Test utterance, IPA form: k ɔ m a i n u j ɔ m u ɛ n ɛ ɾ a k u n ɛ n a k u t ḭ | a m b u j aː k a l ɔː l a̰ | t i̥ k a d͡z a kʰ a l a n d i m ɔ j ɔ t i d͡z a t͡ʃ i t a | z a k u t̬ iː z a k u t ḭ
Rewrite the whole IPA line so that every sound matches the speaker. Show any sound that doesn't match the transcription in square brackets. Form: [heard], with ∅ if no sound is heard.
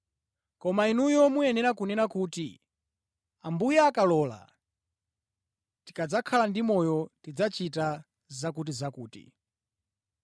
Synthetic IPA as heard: k ɔ m a i n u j ɔ m u ɛ n ɛ ɾ a k u n ɛ n a k u t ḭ | a m b u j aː k a l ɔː l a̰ | t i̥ k a d͡z a kʰ a l a n d i m ɔ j ɔ t i d͡z a t͡ʃ i t a | z a k u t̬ [i] z a k [uː] t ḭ